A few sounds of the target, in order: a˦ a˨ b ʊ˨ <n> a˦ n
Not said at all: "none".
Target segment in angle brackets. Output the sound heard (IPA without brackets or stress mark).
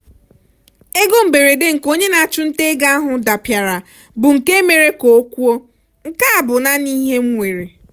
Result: n